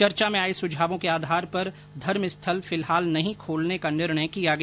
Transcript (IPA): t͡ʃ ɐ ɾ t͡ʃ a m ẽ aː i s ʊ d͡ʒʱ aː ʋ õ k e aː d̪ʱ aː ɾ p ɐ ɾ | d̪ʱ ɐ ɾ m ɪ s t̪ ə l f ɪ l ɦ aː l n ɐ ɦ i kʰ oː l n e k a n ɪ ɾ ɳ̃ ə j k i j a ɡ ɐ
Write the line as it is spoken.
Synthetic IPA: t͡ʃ ɐ ɾ t͡ʃ a m ẽ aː i s ʊ d͡ʒʱ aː ʋ õ k e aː d̪ʱ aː ɾ p ɐ ɾ | d̪ʱ ɐ ɾ m ɪ s t̪ʰ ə l f ɪ l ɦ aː l n ɐ ɦ ĩ kʰ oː l n e k a n ɪ ɾ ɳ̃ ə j k i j a ɡ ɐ

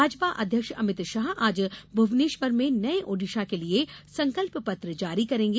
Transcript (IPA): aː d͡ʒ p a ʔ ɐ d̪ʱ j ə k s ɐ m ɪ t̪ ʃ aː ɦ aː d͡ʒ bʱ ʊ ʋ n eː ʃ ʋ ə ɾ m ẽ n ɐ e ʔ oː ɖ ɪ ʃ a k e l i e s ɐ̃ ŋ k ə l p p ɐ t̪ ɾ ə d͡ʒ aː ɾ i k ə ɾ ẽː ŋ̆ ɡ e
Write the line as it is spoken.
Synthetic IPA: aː d͡ʒ p a ʔ ɐ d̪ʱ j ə k ʃ ɐ m ɪ t̪ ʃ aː ɦ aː d͡ʒ bʱ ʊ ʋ n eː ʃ ʋ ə ɾ m ẽ n ɐ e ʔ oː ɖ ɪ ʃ a k e l i e s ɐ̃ ŋ k ə l p p ɐ t̪ ɾ ə d͡ʒ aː ɾ i k ɐ ɾ ẽː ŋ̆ ɡ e

